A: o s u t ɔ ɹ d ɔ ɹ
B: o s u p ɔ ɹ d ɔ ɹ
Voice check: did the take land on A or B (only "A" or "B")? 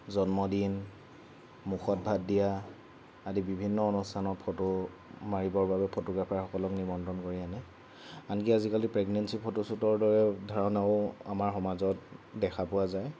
A